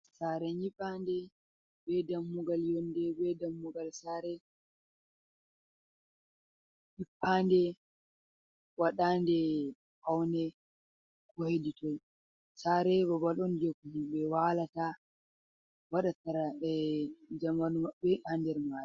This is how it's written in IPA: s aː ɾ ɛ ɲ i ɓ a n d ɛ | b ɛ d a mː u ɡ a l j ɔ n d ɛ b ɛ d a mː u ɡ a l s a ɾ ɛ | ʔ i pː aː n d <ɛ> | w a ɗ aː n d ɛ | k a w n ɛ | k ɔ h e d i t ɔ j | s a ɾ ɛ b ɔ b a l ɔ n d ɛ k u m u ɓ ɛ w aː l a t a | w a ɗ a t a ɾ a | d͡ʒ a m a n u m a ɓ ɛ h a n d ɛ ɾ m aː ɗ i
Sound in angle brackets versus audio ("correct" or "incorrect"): correct